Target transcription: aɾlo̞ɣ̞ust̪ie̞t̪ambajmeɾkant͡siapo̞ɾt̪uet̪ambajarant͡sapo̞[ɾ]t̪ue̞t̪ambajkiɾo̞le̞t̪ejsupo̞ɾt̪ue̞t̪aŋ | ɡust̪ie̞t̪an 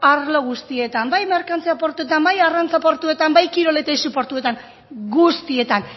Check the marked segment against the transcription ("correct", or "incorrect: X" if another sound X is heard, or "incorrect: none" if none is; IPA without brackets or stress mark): correct